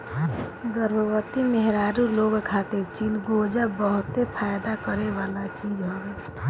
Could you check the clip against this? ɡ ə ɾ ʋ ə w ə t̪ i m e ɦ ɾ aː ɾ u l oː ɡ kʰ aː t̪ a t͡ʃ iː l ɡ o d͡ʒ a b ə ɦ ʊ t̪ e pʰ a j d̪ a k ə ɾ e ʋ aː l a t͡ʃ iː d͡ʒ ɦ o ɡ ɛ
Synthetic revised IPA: ɡ ə ɾ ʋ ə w ə t̪ i m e ɦ ɾ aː ɾ u l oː ɡ kʰ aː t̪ e t͡ʃ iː l ɡ o d͡ʒ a b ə ɦ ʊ t̪ e pʰ a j d̪ a k ə ɾ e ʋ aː l a t͡ʃ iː d͡ʒ ɦ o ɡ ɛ